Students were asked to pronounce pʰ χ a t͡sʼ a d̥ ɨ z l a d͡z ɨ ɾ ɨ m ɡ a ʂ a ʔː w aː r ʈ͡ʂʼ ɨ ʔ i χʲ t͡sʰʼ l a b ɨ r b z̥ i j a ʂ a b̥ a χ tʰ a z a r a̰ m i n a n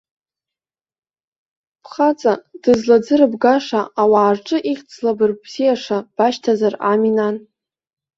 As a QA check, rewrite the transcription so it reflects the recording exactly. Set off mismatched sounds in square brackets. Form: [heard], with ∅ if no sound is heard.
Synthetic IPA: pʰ χ a t͡sʼ a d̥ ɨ z l a d͡z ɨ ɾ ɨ [b] ɡ a ʂ a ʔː w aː r ʈ͡ʂʼ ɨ ʔ i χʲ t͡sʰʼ l a b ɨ r b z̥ i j a ʂ a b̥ a [ʃ] tʰ a z a r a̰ m i n a n